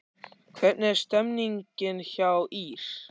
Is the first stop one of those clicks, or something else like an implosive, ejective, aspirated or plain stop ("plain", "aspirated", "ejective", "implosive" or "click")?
aspirated